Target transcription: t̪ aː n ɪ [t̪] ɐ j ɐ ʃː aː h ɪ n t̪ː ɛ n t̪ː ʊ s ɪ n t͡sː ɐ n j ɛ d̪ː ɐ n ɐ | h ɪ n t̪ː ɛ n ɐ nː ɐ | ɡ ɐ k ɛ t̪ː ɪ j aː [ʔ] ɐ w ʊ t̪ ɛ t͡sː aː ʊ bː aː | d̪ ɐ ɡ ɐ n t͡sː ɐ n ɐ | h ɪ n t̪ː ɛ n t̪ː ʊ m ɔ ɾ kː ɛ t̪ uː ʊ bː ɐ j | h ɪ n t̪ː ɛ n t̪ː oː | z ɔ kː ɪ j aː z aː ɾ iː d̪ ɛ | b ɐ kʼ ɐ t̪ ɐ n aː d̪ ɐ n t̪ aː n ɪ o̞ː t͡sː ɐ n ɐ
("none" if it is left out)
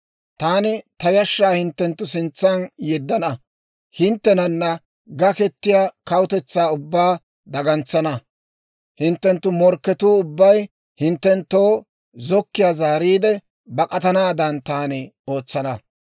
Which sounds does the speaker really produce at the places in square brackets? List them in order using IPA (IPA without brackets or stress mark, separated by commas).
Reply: t̪, k